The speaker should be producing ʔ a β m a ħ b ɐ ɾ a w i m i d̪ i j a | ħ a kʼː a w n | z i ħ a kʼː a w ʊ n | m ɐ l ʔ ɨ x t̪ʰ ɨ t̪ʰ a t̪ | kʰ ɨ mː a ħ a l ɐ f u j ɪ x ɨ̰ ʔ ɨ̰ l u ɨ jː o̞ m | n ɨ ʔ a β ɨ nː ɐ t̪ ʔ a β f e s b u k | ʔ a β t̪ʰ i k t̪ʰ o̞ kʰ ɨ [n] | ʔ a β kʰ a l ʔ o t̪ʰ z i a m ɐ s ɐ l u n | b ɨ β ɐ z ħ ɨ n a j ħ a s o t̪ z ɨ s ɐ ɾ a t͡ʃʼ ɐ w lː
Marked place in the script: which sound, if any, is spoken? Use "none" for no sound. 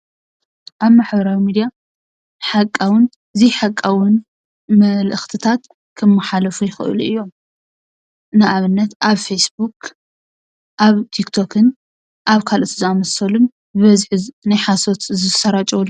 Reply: n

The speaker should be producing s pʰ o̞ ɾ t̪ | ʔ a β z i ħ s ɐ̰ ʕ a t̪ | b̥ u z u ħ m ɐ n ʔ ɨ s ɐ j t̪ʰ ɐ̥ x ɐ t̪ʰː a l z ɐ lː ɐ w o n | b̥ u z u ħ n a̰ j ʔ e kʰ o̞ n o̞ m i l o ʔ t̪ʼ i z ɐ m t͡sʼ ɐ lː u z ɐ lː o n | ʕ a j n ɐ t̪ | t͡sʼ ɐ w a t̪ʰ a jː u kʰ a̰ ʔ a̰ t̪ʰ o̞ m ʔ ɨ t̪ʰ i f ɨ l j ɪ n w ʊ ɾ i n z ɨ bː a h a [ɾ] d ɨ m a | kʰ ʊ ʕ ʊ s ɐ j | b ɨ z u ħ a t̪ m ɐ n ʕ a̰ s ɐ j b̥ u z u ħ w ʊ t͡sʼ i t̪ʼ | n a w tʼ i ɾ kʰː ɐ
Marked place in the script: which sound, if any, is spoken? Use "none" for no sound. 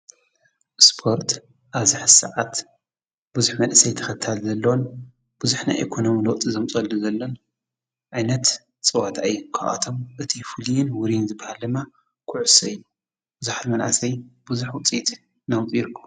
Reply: l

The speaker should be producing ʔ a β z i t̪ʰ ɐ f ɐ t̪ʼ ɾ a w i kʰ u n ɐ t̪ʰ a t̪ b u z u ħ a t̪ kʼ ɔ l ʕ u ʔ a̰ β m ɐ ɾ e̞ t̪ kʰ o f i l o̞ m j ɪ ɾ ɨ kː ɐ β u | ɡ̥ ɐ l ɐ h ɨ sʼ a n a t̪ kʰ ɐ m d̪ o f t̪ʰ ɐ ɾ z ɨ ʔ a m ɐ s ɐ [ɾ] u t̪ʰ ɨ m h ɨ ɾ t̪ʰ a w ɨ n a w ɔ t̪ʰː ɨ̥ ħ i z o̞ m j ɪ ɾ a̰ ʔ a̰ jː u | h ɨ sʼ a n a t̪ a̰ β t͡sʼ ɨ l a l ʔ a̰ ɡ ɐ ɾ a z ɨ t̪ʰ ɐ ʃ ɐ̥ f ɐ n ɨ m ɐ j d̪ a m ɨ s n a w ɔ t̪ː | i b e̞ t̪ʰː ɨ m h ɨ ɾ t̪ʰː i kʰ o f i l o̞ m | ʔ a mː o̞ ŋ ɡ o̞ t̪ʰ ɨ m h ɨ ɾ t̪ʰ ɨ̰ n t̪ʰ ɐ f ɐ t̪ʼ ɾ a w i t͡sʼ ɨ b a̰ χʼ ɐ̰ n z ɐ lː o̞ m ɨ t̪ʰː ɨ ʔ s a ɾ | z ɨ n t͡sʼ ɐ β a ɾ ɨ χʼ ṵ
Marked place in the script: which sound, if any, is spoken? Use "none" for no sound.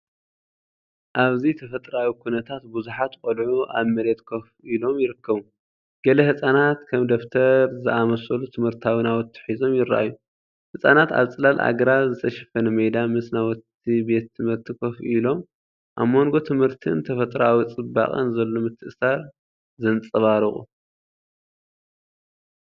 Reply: l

